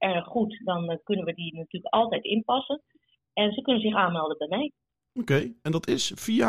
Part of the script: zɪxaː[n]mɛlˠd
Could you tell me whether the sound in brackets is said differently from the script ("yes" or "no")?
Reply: no